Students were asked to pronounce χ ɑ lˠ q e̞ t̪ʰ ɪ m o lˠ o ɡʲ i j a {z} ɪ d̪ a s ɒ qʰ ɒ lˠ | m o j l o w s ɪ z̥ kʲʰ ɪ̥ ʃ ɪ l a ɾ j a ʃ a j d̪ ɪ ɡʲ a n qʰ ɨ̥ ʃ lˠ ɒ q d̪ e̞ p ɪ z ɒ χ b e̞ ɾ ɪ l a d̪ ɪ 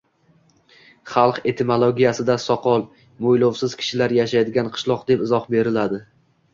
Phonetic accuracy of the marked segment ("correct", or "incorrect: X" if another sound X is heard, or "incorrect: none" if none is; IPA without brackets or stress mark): incorrect: s